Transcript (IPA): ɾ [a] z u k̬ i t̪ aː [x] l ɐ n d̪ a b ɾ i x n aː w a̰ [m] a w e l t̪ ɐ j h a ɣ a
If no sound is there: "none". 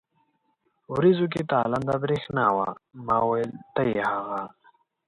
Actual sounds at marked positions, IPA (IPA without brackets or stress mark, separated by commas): i, none, m